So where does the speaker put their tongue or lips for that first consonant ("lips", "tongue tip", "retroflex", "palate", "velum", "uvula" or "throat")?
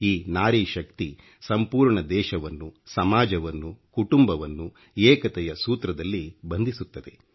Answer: tongue tip